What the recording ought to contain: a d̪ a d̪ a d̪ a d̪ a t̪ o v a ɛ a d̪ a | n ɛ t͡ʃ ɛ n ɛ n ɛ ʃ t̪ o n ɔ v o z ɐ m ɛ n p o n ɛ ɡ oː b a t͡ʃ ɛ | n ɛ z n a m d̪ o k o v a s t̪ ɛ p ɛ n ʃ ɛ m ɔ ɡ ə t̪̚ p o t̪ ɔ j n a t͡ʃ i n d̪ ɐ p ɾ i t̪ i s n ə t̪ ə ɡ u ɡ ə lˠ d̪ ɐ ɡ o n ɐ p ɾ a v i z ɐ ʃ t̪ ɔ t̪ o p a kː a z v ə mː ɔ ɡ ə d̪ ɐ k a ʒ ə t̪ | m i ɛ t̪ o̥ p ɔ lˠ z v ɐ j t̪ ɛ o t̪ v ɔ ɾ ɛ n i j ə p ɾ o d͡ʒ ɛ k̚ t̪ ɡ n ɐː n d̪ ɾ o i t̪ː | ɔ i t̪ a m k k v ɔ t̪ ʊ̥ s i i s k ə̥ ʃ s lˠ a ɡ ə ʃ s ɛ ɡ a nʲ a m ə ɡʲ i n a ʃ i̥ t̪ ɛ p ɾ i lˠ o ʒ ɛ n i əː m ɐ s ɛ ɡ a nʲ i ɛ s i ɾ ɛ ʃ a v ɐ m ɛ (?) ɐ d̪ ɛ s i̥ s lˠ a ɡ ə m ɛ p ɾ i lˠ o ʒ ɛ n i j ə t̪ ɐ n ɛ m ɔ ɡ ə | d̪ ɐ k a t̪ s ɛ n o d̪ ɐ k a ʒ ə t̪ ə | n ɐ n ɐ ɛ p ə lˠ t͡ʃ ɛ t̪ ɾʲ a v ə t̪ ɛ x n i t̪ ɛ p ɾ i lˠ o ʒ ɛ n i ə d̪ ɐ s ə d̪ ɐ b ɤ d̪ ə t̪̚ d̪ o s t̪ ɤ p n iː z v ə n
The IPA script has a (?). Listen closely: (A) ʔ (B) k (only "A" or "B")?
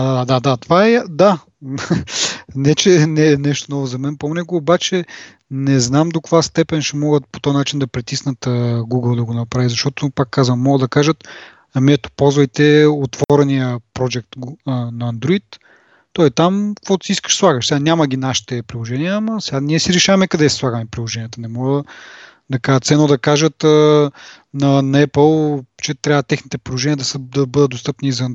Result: B